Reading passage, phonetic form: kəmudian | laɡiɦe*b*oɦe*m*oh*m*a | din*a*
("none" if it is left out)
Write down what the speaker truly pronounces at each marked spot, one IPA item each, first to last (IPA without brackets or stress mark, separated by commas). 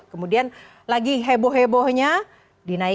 b, b, ɲ, a